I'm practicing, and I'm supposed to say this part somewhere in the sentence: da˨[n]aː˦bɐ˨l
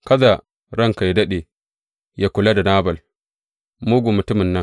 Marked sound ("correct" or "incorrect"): correct